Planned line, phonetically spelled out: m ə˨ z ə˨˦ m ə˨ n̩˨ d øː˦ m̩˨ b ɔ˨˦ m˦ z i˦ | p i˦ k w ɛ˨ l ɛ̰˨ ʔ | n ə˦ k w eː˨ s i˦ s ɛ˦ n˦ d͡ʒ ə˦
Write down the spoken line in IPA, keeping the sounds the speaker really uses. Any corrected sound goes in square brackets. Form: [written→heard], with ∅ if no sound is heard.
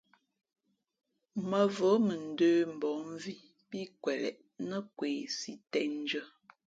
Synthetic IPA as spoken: m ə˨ [z→v] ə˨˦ m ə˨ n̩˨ d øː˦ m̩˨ b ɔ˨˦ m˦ [z→v] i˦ | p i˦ k w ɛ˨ l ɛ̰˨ ʔ | n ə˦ k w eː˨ s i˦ [s→t] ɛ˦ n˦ d͡ʒ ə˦